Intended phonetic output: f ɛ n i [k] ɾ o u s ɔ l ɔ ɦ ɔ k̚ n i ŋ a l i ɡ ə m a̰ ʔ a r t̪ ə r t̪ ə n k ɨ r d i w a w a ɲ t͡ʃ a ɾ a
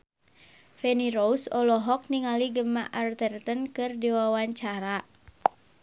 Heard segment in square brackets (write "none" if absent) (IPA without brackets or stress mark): none